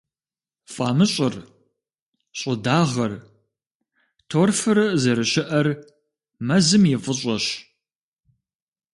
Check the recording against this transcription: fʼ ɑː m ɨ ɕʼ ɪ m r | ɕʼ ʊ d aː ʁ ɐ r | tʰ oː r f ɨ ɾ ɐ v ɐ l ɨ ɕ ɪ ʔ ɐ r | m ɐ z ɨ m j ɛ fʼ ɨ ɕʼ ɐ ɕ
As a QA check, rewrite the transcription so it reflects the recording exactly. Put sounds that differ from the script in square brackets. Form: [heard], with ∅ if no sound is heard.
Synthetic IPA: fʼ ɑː m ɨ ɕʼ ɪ [∅] r | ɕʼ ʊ d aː ʁ ɐ r | tʰ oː r f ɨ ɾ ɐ [z] ɐ [ɾ] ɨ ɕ ɪ ʔ ɐ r | m ɐ z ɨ m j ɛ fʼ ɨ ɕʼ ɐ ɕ